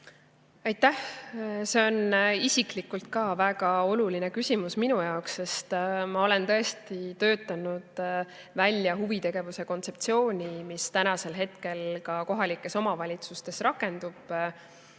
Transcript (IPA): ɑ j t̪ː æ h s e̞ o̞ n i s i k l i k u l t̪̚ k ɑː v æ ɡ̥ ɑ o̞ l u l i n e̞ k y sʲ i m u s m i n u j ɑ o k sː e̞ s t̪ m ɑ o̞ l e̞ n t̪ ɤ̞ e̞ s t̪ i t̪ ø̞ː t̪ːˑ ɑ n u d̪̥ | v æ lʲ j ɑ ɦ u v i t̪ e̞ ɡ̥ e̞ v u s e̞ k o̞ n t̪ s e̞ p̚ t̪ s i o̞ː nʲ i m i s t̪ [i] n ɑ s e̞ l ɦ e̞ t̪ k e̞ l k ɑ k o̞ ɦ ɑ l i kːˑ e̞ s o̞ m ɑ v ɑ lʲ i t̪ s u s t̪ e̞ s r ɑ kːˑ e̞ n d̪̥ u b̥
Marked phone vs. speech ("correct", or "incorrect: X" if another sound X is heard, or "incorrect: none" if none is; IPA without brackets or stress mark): incorrect: æ